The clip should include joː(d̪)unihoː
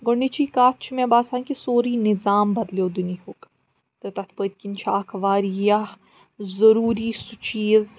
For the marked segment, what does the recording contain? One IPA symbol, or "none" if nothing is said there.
d̪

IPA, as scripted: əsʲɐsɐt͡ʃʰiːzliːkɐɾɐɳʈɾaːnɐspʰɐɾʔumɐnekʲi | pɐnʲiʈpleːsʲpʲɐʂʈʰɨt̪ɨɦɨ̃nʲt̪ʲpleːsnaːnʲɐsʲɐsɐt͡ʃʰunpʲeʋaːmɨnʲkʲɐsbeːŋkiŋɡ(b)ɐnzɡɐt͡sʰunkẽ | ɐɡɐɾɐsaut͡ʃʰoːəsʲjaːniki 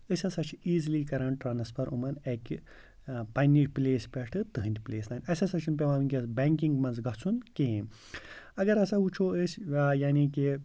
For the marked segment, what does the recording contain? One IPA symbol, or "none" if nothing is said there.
m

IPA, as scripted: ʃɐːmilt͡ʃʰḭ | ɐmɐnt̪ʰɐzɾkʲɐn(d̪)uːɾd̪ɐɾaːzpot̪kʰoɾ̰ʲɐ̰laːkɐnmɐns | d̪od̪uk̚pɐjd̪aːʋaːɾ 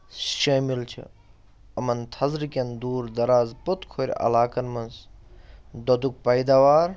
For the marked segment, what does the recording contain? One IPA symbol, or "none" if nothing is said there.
d̪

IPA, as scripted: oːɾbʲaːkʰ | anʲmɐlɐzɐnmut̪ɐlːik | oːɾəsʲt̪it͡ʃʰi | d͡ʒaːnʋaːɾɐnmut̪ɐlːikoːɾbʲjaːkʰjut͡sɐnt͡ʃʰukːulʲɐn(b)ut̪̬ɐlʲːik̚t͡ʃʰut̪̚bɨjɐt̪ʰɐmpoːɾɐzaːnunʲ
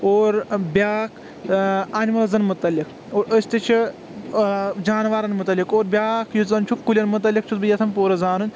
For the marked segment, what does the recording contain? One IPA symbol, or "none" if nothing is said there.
m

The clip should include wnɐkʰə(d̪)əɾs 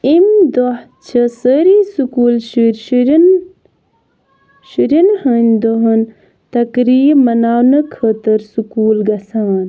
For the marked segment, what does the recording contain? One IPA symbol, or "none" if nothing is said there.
t̪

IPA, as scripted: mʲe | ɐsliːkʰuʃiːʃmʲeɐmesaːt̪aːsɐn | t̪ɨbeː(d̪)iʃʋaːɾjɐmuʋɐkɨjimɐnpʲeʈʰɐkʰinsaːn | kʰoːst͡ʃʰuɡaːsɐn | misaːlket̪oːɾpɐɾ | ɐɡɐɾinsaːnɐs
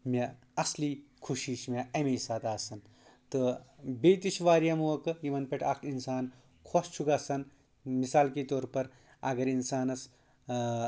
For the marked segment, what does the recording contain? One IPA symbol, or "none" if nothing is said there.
t̪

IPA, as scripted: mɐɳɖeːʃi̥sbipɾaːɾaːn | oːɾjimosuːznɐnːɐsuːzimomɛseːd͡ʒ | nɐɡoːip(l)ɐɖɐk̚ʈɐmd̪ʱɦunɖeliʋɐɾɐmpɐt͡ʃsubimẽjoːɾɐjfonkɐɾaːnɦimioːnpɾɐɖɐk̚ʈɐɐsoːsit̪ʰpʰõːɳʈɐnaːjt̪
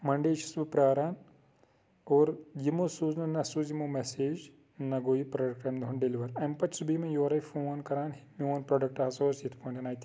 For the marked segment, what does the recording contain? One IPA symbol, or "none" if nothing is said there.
ɾ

